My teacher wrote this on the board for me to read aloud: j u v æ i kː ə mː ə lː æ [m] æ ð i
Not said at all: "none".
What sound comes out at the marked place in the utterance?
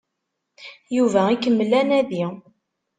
n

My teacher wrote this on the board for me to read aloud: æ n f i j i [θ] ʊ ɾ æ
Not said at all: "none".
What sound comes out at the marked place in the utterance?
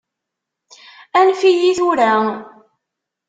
θ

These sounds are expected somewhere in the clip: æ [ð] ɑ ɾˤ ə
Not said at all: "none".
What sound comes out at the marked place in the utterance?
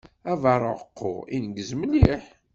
v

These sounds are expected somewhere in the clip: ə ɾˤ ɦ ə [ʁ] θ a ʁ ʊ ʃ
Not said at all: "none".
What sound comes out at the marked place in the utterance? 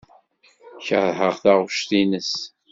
ʁ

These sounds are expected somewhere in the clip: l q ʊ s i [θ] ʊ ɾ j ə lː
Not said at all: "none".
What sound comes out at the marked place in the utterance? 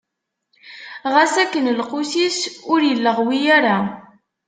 s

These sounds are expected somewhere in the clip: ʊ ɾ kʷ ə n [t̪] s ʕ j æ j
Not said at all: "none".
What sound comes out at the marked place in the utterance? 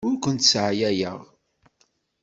t̪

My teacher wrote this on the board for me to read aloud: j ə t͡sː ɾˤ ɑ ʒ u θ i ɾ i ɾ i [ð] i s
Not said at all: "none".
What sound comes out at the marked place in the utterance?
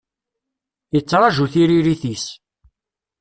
θ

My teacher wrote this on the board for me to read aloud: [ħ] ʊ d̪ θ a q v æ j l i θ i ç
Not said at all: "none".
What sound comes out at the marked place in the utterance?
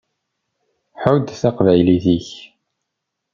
ħ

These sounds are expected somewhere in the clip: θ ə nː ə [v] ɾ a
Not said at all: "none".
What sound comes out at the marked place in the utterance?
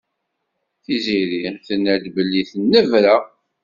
v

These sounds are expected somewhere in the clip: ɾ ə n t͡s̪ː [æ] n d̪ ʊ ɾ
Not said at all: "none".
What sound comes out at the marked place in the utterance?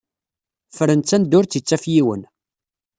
æ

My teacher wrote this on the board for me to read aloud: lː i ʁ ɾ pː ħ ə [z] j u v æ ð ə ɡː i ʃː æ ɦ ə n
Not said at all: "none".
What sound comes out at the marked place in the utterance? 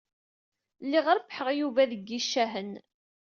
ʁ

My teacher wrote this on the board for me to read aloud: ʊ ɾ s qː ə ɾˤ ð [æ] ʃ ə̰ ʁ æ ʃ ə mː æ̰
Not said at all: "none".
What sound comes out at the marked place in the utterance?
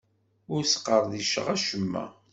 i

